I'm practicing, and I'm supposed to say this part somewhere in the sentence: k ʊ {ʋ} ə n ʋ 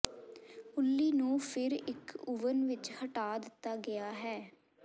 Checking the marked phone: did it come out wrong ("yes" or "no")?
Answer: no